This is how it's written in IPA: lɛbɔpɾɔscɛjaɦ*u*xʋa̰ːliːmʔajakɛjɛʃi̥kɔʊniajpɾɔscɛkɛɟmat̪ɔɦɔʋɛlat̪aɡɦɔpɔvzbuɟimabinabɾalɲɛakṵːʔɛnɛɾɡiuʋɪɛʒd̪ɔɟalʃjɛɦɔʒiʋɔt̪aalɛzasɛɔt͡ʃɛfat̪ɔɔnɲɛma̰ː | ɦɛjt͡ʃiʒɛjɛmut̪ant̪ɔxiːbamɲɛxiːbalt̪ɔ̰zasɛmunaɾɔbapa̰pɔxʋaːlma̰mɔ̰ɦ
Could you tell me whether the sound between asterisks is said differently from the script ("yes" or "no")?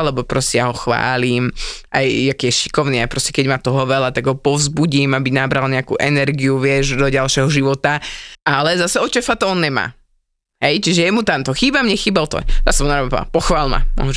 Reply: yes